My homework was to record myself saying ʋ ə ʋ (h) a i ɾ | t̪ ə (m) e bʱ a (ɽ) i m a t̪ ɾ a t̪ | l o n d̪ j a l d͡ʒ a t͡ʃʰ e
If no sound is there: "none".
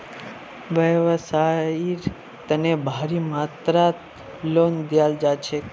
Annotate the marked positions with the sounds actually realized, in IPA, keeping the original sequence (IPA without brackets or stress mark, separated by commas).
s, n, ɾ